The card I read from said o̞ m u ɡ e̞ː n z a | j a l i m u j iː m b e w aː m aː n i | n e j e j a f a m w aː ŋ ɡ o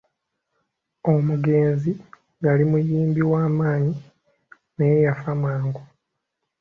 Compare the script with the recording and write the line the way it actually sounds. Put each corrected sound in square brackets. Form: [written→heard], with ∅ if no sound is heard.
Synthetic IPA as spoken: o̞ m u ɡ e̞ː n z [a→i] | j a l i m u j iː m b [e→i] w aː m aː [n→ɲ] i | n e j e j a f a m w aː ŋ ɡ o